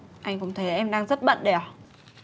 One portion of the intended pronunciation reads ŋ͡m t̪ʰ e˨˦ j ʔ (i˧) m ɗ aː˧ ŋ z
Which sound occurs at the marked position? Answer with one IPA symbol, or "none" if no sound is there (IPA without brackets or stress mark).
ɛ˧